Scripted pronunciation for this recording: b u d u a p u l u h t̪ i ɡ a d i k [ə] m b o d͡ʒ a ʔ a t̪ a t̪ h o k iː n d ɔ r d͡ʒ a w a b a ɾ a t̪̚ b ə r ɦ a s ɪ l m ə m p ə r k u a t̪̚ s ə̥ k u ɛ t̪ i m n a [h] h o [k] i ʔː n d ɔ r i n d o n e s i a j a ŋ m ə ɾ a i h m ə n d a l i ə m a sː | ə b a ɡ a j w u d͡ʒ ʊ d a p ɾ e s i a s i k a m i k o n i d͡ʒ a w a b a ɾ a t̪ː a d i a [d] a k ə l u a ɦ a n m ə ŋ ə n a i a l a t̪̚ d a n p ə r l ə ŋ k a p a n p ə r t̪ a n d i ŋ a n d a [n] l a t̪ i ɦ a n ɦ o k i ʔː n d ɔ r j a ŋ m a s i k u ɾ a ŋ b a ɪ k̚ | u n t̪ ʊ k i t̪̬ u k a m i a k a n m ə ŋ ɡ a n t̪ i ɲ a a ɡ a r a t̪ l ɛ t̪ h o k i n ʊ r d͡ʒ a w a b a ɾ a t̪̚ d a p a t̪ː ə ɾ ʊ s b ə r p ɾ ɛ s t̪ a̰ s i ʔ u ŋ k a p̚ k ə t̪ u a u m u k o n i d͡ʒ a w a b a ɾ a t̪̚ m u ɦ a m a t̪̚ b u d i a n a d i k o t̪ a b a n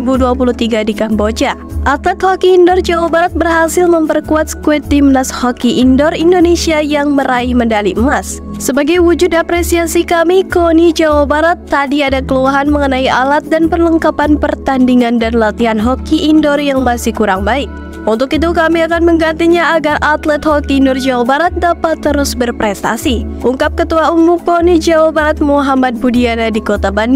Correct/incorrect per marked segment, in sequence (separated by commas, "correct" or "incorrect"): incorrect, incorrect, correct, correct, correct